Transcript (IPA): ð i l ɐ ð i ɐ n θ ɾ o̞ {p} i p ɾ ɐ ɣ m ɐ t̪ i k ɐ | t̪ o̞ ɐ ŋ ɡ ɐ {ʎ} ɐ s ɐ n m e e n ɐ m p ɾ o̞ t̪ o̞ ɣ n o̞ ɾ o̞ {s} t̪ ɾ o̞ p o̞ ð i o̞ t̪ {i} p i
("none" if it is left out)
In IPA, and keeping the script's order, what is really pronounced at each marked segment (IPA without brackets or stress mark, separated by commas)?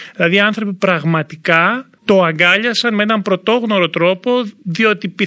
p, ʎ, none, i